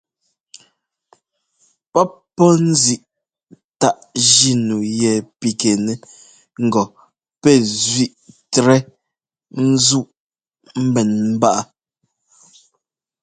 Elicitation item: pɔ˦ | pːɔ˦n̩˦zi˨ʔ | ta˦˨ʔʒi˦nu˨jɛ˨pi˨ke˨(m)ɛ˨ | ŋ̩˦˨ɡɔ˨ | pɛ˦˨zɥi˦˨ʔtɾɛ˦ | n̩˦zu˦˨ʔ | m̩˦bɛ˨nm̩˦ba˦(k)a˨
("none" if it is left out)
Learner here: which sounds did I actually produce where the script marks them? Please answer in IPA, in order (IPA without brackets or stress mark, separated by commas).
n, ʔ